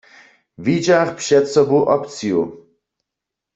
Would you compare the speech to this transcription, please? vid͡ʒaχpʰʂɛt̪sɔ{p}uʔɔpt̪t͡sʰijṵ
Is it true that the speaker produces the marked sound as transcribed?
no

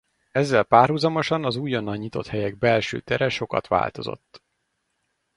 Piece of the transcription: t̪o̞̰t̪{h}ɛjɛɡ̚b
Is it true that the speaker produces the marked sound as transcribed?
yes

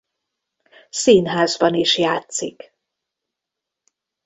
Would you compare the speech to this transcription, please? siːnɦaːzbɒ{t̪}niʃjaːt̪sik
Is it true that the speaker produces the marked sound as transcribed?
no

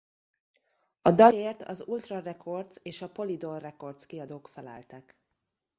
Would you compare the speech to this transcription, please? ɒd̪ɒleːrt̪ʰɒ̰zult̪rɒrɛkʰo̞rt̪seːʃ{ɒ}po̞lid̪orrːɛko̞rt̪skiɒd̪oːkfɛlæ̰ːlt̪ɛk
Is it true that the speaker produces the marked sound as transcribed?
yes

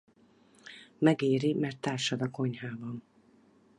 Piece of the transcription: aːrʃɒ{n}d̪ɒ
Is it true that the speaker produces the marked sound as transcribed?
no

